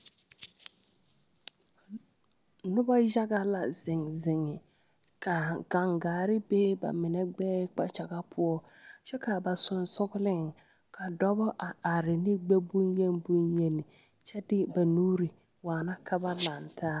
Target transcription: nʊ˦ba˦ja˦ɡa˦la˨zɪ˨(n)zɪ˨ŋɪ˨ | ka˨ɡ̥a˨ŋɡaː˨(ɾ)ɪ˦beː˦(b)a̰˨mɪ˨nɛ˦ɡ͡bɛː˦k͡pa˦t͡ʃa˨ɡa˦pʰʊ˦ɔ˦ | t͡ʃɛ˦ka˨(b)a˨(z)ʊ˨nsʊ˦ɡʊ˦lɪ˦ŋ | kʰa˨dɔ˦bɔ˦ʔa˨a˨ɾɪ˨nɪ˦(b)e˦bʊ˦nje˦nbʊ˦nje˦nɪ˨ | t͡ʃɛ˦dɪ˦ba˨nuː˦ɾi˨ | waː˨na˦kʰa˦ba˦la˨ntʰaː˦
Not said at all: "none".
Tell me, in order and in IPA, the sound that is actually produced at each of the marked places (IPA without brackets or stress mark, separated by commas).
ŋ, ɾ, b, b, s, ɡ͡b